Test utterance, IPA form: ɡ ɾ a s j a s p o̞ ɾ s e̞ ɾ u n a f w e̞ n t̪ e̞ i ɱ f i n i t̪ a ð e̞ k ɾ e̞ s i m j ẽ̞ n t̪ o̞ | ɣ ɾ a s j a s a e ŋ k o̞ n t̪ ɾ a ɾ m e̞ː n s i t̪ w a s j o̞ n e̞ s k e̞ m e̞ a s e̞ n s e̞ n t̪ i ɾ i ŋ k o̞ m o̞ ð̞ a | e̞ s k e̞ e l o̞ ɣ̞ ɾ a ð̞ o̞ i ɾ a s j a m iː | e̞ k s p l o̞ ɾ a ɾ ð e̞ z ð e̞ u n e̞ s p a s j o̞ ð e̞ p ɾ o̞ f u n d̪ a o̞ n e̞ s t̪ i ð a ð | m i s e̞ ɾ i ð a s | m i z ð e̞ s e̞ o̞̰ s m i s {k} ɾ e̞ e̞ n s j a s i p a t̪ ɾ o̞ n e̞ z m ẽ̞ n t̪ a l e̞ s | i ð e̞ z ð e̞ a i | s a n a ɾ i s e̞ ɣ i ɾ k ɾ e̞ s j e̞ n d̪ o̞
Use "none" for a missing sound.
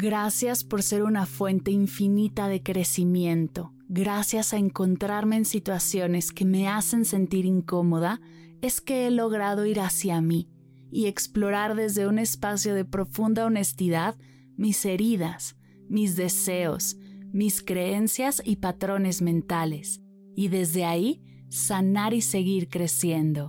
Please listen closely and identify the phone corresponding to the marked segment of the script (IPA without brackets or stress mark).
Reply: k